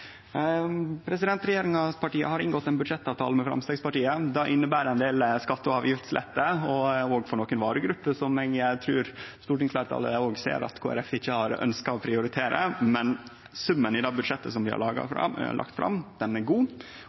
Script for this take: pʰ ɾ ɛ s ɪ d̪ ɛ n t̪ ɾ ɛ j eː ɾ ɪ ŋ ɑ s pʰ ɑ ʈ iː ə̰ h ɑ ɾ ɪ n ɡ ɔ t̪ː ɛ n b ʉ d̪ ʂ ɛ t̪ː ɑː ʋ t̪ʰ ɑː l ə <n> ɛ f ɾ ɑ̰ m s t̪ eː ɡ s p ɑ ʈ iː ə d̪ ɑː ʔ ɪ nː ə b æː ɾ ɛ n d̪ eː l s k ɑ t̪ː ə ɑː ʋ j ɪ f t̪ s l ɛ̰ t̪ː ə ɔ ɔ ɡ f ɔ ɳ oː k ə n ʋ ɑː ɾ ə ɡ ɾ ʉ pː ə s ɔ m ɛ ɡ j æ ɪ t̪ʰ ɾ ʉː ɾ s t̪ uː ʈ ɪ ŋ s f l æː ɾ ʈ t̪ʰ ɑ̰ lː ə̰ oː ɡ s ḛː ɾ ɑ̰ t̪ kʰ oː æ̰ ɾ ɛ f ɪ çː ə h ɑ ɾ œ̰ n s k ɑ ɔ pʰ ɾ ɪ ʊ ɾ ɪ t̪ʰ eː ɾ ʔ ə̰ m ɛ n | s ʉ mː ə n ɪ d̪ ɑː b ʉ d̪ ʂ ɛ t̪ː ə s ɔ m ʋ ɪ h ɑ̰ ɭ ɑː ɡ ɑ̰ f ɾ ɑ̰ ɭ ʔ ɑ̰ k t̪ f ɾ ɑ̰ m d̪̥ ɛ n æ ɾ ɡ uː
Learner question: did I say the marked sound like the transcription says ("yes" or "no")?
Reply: no